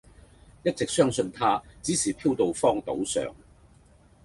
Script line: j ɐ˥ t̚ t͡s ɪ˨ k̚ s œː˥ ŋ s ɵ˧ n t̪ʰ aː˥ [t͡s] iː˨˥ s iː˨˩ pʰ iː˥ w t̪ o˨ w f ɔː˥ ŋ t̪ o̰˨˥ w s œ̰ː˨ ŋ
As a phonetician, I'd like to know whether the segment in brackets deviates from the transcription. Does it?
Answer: no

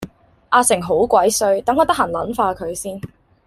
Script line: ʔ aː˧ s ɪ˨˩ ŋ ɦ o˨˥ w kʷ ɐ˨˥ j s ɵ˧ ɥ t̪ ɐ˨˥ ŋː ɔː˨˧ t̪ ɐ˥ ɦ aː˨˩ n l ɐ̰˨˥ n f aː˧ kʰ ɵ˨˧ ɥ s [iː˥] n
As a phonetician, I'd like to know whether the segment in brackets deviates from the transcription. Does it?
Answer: no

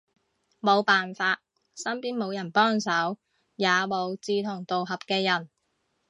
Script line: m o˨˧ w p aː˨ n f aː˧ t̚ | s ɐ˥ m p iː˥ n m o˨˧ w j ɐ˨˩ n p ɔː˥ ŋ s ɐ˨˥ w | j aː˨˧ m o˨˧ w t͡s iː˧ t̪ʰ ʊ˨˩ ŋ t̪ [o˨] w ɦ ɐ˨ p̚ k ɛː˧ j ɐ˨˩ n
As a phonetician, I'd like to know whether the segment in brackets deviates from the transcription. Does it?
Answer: no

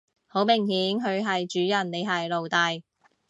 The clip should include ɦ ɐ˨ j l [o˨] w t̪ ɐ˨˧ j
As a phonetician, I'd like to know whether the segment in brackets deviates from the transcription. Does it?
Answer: no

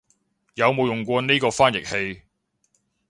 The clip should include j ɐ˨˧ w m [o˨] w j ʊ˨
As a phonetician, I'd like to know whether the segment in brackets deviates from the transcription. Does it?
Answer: no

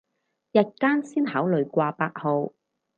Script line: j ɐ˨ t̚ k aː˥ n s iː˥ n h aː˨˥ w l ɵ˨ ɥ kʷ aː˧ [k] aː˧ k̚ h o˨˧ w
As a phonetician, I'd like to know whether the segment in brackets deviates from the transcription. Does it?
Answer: yes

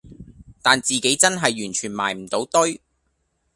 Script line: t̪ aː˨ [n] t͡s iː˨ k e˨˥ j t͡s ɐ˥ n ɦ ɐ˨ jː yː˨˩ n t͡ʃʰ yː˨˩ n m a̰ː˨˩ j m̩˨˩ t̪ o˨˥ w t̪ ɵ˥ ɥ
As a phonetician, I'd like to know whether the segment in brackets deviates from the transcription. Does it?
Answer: no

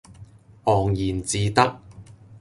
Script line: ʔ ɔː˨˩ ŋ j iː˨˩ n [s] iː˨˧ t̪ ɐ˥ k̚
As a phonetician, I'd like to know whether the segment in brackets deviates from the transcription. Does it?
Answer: yes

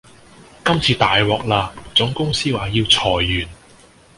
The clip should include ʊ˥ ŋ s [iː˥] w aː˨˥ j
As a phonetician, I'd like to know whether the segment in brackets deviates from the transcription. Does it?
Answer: no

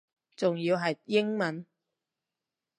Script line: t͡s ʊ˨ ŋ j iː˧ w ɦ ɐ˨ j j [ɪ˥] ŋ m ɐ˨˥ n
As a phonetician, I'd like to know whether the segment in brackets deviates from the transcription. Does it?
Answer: no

